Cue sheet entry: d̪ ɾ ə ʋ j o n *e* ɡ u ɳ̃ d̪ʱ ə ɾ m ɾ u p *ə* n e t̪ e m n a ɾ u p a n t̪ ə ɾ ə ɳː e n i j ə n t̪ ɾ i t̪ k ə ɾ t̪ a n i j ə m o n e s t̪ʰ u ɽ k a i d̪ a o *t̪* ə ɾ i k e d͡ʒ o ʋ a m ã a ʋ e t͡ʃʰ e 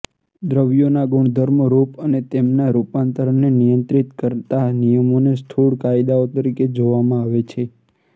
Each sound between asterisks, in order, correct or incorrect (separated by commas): incorrect, correct, correct